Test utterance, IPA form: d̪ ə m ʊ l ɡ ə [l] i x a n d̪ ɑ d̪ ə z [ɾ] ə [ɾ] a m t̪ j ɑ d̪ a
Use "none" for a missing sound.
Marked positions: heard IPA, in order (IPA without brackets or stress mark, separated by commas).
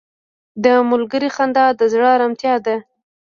ɾ, ɽ, ɾ